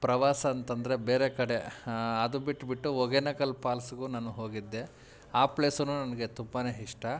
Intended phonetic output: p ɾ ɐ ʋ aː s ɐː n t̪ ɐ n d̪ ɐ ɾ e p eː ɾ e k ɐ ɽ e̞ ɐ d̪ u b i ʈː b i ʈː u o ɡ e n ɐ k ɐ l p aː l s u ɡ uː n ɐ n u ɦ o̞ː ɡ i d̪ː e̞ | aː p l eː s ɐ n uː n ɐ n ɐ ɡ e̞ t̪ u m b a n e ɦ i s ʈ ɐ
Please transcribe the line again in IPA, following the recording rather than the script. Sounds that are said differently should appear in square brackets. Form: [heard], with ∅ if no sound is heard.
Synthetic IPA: p ɾ ɐ ʋ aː s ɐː n t̪ ɐ n d̪ ɐ ɾ e [b] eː ɾ e k ɐ ɽ e̞ ɐ d̪ u b i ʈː b i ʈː u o ɡ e n ɐ k ɐ l p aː l s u ɡ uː n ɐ n u ɦ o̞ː ɡ i d̪ː e̞ | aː p l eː s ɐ n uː n ɐ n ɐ ɡ e̞ t̪ u m b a n e ɦ i [ʂ] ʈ ɐ